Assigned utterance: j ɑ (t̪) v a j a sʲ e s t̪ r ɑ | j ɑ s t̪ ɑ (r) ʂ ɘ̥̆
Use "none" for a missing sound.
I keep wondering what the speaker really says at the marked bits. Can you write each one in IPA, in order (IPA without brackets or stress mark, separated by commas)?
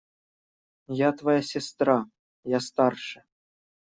t̪, r